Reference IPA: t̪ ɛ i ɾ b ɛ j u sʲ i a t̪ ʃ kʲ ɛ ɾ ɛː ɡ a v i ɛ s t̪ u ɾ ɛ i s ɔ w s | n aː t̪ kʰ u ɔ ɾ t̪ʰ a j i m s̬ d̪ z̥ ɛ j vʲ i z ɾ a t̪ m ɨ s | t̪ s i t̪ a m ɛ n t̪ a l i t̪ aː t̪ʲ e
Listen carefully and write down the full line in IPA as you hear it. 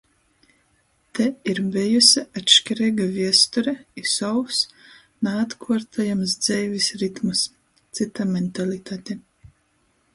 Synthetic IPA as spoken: t̪ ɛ i ɾ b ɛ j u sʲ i a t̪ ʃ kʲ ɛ ɾ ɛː ɡ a v i ɛ s t̪ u ɾ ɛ i s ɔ w s | n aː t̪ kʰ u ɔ ɾ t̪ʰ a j a m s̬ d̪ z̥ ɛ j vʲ i s ɾ i t̪ m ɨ s | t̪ s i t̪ a m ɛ n t̪ a l i t̪ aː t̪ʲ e